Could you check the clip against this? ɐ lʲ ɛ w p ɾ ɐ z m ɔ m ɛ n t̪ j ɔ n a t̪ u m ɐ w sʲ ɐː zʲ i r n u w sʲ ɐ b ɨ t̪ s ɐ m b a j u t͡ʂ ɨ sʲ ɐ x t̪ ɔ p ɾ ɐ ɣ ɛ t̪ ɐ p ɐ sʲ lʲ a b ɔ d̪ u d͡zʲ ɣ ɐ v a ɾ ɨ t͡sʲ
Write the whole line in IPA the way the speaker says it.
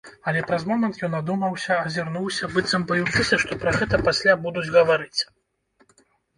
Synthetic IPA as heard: ɐ lʲ ɛ p ɾ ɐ z m ɔ m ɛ n t̪ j ɔ n a d̪ u m ɐ w sʲ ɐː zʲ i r n u w sʲ ɐ b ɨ t̪ s ɐ m b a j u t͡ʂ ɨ sʲ ɐ ʂ t̪ ɔ p ɾ ɐ ɣ ɛ t̪ ɐ p a sʲ lʲ a b u d̪ u d͡zʲ ɣ ɐ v a ɾ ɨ t͡sʲ